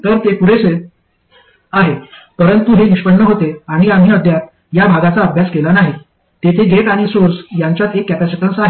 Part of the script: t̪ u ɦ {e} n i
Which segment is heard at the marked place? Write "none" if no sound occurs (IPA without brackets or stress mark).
e